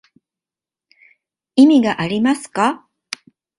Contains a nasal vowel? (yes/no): no